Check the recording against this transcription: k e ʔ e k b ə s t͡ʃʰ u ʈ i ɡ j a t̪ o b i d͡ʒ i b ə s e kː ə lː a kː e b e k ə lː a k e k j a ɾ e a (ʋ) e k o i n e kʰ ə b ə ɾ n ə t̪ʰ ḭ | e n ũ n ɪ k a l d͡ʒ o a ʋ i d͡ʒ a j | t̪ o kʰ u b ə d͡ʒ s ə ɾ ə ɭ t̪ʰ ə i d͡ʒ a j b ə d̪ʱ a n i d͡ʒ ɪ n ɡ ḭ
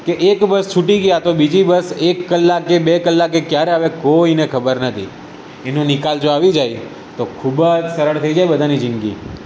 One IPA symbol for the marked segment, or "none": ʋ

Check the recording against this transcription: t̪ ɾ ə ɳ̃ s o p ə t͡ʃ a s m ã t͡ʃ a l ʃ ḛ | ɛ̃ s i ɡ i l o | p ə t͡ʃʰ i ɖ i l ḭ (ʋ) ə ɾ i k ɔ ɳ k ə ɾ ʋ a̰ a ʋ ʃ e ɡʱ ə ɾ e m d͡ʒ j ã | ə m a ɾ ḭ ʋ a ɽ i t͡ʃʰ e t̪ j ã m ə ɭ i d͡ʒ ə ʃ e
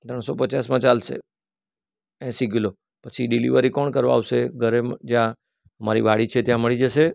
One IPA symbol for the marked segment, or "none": ʋ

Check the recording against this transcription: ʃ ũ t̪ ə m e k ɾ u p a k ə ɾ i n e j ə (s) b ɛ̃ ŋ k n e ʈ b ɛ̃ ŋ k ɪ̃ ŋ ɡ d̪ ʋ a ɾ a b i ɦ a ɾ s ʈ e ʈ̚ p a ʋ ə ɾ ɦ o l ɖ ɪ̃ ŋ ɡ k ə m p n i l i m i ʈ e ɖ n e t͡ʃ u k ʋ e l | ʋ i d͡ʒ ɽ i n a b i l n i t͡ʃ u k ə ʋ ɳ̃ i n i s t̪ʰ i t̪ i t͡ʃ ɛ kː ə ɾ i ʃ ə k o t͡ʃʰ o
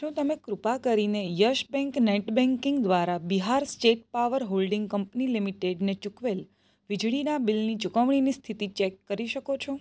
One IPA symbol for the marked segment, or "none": ʃ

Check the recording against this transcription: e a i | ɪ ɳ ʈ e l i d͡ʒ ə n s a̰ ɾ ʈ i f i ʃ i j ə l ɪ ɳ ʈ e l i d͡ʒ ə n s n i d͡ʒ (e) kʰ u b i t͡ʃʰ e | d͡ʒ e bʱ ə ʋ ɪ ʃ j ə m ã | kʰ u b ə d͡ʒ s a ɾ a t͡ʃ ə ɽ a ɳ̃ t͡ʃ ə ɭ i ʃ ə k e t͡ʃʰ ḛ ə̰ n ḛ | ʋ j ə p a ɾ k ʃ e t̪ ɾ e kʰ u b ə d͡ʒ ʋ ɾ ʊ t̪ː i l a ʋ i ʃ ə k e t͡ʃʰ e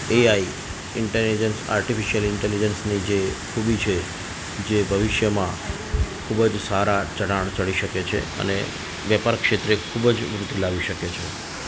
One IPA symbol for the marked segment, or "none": e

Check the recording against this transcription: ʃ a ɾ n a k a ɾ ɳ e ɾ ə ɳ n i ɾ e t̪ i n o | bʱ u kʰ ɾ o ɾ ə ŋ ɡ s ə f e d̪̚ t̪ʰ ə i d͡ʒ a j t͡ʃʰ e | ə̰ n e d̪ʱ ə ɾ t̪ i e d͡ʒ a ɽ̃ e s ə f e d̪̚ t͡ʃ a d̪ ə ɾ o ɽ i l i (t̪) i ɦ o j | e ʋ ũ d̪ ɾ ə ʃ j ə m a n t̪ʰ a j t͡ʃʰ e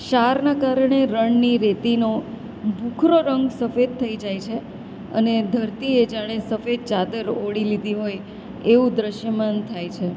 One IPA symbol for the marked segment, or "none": d̪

